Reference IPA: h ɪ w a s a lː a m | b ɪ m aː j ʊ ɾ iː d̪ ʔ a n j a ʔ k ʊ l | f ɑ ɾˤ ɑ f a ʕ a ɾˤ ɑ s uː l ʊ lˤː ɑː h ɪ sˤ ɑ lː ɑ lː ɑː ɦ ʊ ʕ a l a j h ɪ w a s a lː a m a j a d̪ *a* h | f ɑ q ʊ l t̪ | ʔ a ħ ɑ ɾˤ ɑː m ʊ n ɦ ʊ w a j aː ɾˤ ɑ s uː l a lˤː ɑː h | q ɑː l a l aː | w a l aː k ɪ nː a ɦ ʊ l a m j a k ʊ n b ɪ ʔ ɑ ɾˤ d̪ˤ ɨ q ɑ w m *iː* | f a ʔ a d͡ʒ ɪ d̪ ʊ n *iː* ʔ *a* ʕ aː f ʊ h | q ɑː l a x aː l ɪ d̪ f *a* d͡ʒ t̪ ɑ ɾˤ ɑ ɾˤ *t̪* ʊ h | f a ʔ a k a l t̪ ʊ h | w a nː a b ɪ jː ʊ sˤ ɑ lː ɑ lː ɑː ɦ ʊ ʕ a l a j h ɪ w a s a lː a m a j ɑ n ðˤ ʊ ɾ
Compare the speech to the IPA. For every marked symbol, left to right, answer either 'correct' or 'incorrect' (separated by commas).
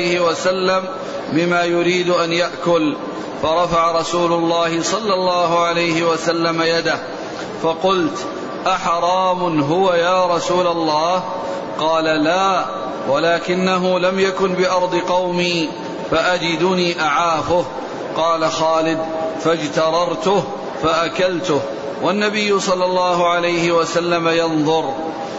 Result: correct, correct, correct, correct, correct, correct